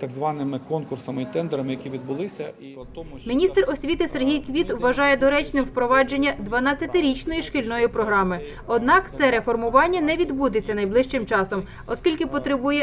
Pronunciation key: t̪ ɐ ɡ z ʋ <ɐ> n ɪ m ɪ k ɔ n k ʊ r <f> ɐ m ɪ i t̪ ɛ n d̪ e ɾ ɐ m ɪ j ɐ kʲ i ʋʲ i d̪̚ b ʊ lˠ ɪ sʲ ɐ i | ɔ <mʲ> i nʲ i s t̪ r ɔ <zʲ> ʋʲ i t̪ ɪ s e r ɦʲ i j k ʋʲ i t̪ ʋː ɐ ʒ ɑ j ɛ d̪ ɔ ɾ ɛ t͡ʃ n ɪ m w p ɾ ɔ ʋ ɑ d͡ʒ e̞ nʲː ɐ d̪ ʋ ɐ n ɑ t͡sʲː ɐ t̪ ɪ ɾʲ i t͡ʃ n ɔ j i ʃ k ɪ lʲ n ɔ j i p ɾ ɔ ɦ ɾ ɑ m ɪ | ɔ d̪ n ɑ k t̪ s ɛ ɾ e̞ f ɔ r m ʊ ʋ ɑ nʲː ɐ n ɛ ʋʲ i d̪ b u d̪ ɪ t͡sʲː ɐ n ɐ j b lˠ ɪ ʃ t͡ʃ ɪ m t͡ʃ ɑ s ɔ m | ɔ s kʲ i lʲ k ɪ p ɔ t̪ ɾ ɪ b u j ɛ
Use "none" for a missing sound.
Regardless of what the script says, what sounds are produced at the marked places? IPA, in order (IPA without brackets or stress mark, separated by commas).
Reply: ɑ, s, mʲ, sʲ